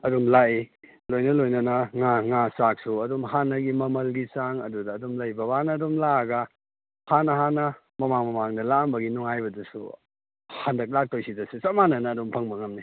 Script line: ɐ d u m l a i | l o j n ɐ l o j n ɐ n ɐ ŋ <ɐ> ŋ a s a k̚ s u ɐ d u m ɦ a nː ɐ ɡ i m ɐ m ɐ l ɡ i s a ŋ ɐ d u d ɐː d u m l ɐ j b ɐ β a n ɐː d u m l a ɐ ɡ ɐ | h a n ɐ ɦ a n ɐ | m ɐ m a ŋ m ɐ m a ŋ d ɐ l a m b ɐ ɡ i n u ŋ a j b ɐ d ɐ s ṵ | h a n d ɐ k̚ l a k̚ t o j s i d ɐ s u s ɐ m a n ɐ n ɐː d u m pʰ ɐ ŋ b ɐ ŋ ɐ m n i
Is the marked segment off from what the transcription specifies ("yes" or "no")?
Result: yes